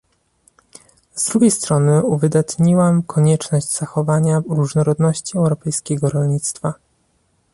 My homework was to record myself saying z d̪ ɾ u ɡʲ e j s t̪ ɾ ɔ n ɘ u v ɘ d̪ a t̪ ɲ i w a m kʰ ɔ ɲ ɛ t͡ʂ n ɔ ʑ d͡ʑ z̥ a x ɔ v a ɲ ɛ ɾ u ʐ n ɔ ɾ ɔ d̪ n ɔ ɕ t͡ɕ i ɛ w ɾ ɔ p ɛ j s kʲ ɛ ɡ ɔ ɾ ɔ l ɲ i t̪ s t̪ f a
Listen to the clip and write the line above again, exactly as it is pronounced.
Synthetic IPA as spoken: z d̪ ɾ u ɡʲ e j s t̪ ɾ ɔ n ɘ u v ɘ d̪ a t̪ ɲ i w a m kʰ ɔ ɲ ɛ t͡ʂ n ɔ ʑ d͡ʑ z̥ a x ɔ v a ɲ a ɾ u ʐ n ɔ ɾ ɔ d̪ n ɔ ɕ t͡ɕ i ɛ w ɾ ɔ p ɛ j s kʲ ɛ ɡ ɔ ɾ ɔ l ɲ i t̪ s t̪ f a

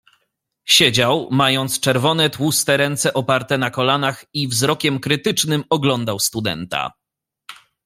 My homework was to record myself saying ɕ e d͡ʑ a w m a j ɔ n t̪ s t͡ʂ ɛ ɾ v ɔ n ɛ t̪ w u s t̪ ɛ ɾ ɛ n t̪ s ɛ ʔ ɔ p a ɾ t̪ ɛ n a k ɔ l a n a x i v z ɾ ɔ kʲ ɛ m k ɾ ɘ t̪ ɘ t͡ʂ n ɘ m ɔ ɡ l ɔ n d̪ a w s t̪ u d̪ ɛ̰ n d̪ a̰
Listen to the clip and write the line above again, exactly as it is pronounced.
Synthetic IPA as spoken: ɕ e d͡ʑ a w m a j ɔ n t̪ s t͡ʂ ɛ ɾ v ɔ n ɛ t̪ w u s t̪ ɛ ɾ ɛ n t̪ s ɛ ʔ ɔ p a ɾ t̪ ɛ n a k ɔ l a n a x i v z ɾ ɔ kʲ ɛ m k ɾ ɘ t̪ ɘ t͡ʂ n ɘ m ɔ ɡ l ɔ n d̪ a w s t̪ u d̪ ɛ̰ n t̪ a̰

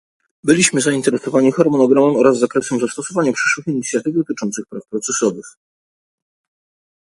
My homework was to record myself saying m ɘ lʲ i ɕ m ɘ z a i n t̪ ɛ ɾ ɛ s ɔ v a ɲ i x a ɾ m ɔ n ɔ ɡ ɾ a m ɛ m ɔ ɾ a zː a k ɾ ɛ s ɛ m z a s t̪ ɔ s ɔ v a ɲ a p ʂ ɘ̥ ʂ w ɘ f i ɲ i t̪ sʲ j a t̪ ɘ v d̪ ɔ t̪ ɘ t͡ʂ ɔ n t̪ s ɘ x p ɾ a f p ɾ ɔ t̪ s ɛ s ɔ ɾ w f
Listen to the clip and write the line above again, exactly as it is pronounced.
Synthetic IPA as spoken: b ɘ lʲ i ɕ m ɘ z a i n t̪ ɛ ɾ ɛ s ɔ v a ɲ i x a ɾ m ɔ n ɔ ɡ ɾ a m ɛ m ɔ ɾ a zː a k ɾ ɛ s ɛ m z a s t̪ ɔ s ɔ v a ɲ a p ʂ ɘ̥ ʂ w ɘ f i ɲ i t̪ sʲ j a t̪ ɘ v d̪ ɔ t̪ ɘ t͡ʂ ɔ n t̪ s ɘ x p ɾ a f p ɾ ɔ t̪ s ɛ s ɔ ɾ u f

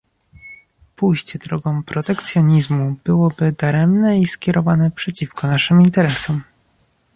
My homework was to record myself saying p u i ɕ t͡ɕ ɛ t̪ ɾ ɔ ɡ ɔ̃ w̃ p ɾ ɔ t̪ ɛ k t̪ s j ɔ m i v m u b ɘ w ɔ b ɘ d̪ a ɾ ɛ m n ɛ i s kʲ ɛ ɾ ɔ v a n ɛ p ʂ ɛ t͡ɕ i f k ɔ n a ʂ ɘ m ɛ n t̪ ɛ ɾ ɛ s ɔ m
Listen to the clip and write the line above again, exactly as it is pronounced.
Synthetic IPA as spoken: p u j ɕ t͡ɕ ɛ d̪ ɾ ɔ ɡ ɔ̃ w̃ p ɾ ɔ t̪ ɛ k t̪ s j ɔ ɲ i z m u b ɘ w ɔ b ɘ d̪ a ɾ ɛ m n ɛ i s kʲ ɛ ɾ ɔ v a n ɛ p ʂ ɛ t͡ɕ i f k ɔ n a ʂ ɘ m i n t̪ ɛ ɾ ɛ s ɔ m

